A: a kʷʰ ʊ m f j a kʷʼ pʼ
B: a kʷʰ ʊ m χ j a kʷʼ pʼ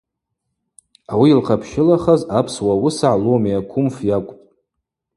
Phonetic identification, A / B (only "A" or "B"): A